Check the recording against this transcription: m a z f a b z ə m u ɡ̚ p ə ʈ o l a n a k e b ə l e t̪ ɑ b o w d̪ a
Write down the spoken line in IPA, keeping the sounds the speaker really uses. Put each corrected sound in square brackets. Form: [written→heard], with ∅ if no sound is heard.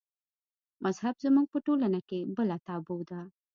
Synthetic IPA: m a z [f→h] a b z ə m u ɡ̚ p ə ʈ o l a n a k e b ə l [e→a] t̪ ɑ b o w d̪ a

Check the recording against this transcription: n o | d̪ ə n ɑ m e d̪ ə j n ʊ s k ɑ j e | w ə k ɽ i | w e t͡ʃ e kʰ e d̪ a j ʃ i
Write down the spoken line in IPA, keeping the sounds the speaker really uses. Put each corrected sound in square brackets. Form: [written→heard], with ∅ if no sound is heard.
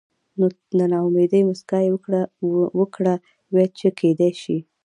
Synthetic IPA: n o | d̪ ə n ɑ m e d̪ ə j [n→m] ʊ s k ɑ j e | w ə k ɽ [i→a] | w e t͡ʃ e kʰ e d̪ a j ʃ i

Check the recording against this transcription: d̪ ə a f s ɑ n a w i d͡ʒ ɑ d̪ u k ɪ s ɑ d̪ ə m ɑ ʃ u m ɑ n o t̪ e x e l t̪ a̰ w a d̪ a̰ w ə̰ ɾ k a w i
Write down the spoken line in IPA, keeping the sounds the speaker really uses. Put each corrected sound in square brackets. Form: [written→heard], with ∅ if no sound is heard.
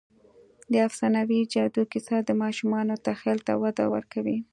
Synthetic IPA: d̪ ə a f s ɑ n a w i d͡ʒ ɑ d̪ u k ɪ s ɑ d̪ ə m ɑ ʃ u m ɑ n o t̪ [e→a] x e l t̪ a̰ w a d̪ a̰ w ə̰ ɾ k a w i

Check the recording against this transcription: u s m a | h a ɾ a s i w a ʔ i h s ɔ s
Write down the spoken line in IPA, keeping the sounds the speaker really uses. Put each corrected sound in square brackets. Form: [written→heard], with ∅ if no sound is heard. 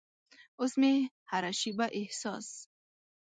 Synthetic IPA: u s m [a→i] | h a ɾ a [s→ʃ] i [w→b] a ʔ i h s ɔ s

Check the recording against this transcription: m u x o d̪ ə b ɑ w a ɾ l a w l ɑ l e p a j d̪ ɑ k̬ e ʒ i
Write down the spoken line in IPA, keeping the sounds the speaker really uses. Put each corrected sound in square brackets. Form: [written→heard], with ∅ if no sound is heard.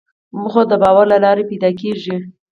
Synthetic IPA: m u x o d̪ ə b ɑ w a ɾ l a [w→∅] l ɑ [l→ɾ] e p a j d̪ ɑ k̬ e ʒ i

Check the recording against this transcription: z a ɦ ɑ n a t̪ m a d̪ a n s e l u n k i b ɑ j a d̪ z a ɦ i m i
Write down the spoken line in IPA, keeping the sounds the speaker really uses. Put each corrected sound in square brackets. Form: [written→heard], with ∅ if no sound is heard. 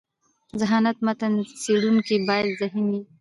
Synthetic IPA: z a ɦ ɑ n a t̪ m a [d̪→t̪] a n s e [l→ɽ] u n k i b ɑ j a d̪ z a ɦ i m i

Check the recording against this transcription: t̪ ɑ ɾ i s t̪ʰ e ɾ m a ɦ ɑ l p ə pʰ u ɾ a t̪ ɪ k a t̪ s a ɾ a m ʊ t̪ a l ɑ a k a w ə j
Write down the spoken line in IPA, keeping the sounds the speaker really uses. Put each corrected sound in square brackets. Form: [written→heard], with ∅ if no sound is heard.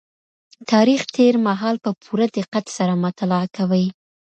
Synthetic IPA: t̪ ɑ ɾ i [s→x] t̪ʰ e ɾ m a ɦ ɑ l p ə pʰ u ɾ a [t̪→d̪] ɪ [k→q] a t̪ s a ɾ a m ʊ t̪ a l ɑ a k a w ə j

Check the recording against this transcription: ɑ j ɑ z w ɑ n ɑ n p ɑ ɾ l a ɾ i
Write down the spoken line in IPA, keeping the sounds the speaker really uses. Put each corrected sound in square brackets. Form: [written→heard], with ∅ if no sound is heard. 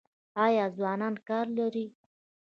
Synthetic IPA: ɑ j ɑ z w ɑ n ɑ n [p→k] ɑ ɾ l a ɾ i

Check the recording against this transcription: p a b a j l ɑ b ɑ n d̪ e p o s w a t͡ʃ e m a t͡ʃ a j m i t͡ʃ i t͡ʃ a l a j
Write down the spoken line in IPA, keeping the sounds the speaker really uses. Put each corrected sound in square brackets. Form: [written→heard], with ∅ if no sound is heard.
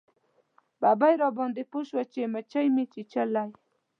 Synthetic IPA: [p→b] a b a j [l→ɾ] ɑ b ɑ n d̪ e p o [s→ʃ] w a t͡ʃ e m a t͡ʃ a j m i t͡ʃ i t͡ʃ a l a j

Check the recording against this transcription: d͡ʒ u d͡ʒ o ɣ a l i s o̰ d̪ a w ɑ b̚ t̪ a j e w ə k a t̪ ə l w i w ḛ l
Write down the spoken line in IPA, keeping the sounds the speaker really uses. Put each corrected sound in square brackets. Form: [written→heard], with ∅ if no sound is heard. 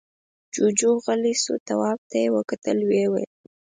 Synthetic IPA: d͡ʒ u d͡ʒ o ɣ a l i s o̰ [d̪→t̪] a w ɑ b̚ t̪ a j e w ə k a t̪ ə l w [i→e] w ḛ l

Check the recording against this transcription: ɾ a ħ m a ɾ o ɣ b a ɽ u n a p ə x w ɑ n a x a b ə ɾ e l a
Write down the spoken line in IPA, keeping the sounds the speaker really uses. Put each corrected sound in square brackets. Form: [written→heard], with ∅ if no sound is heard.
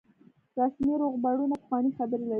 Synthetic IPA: ɾ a [ħ→s] m [a→i] ɾ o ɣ b a ɽ u n a p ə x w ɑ n [a→i] x a b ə ɾ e l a

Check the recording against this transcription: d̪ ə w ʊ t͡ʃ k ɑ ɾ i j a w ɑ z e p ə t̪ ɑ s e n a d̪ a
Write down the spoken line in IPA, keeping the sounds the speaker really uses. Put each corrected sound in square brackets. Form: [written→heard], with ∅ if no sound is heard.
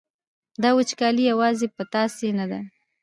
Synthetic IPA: d̪ [ə→ɑ] w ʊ t͡ʃ k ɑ [ɾ→l] i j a w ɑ z e p ə t̪ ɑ s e n a d̪ a

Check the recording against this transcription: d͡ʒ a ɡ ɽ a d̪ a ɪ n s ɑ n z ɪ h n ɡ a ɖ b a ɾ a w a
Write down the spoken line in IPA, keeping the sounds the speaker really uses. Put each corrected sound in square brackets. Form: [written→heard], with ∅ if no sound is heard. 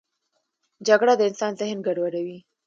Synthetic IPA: d͡ʒ a ɡ ɽ a d̪ [a→ə] ɪ n s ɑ n z ɪ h n ɡ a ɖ [b→w] a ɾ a w [a→i]

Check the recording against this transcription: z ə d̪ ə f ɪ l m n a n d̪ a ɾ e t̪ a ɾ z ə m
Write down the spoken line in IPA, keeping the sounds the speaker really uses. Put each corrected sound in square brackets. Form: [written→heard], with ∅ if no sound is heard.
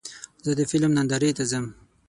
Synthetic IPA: z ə d̪ ə f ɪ l m n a n d̪ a ɾ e t̪ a [ɾ→∅] z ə m

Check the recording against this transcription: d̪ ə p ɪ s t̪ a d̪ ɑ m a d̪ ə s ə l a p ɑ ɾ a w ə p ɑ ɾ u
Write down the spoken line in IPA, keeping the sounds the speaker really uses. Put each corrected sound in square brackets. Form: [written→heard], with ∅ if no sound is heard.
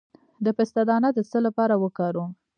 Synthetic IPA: d̪ ə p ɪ s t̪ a d̪ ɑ [m→n] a d̪ ə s ə l a p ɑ ɾ a w ə [p→k] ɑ ɾ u

